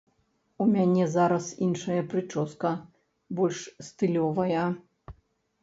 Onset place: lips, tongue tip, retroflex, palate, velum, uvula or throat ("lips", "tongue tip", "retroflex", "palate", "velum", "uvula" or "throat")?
lips